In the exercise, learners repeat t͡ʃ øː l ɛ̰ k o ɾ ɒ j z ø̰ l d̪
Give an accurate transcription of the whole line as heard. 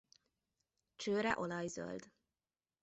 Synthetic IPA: t͡ʃ øː ɾ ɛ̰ ʔ o l ɒ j z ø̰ l d̪